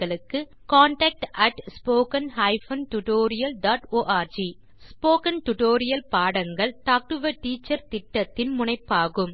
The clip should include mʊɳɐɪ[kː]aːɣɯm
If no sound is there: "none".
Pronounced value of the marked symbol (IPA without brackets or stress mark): pː